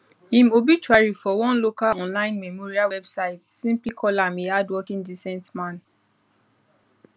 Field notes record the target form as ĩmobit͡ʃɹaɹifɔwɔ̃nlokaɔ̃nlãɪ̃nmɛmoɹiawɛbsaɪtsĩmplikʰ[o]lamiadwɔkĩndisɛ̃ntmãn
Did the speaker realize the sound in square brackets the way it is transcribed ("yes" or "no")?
no